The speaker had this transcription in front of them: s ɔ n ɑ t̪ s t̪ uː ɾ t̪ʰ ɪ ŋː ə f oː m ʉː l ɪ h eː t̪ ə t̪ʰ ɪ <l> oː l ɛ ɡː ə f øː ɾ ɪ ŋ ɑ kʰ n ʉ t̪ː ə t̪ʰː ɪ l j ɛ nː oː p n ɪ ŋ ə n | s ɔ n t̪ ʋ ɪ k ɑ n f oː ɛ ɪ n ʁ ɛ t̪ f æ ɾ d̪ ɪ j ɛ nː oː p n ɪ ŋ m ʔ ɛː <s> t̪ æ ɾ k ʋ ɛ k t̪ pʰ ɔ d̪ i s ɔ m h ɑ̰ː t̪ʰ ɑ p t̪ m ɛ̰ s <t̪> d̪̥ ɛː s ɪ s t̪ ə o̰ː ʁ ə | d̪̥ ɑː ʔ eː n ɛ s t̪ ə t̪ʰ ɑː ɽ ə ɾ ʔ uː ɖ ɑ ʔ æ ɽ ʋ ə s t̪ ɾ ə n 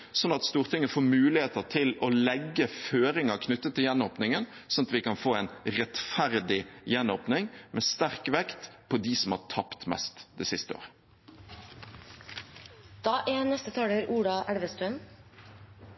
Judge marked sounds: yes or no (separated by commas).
yes, yes, yes